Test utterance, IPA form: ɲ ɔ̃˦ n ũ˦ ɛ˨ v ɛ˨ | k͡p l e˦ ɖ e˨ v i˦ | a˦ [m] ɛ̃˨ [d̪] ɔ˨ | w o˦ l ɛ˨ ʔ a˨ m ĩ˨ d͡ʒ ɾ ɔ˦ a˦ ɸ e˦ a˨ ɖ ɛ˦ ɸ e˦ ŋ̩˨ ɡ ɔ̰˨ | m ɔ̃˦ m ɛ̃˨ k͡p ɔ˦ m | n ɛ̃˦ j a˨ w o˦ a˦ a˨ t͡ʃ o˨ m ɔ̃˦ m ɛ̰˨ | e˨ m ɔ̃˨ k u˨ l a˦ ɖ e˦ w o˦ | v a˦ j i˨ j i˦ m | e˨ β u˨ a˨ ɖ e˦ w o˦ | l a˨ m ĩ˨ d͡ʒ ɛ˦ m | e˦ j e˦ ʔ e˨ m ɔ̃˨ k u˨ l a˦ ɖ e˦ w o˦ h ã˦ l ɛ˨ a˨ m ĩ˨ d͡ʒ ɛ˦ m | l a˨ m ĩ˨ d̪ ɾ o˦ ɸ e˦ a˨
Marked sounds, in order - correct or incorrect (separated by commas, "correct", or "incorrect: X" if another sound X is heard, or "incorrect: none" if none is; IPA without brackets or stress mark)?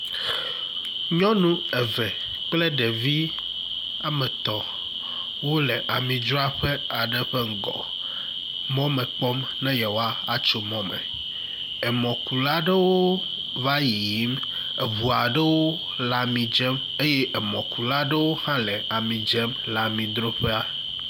correct, incorrect: t̪